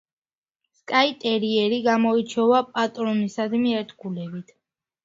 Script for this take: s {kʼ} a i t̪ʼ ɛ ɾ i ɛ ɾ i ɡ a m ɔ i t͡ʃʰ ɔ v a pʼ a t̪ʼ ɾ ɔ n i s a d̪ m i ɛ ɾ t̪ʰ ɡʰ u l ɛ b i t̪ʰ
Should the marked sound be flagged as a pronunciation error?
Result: no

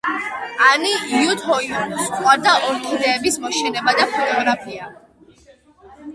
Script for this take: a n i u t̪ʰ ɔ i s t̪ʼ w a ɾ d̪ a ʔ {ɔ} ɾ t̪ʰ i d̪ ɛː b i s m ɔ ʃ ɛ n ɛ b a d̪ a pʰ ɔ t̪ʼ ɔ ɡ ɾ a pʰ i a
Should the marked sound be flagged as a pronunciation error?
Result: no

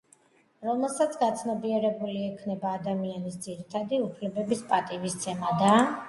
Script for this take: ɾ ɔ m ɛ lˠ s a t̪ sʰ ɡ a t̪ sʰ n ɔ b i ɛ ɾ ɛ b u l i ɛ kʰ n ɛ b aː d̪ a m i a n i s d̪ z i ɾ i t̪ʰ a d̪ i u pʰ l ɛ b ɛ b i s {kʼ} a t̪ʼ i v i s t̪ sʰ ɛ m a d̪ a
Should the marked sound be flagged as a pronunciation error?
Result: yes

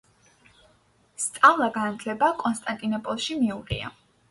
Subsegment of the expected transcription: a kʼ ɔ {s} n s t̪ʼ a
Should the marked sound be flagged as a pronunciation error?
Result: yes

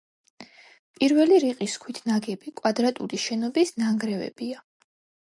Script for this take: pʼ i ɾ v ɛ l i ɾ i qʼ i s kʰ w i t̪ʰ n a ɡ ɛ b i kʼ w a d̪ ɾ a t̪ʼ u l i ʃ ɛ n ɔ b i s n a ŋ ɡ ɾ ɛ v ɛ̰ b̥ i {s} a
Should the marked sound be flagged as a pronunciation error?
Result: yes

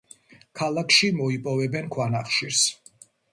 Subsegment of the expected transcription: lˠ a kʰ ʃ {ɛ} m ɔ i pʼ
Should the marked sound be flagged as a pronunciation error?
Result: yes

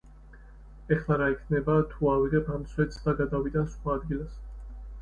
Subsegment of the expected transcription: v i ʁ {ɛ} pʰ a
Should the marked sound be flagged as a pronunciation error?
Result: no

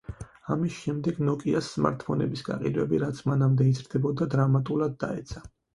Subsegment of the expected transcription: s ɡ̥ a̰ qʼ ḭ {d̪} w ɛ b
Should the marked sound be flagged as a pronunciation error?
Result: no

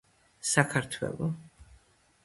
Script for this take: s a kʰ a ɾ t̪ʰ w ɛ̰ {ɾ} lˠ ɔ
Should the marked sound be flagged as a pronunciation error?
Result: yes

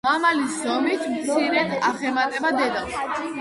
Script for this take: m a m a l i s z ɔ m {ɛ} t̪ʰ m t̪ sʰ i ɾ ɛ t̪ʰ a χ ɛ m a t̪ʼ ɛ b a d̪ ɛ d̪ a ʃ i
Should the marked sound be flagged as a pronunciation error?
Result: yes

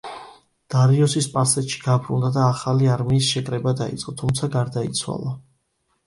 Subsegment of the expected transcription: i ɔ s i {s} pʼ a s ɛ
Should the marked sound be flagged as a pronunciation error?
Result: no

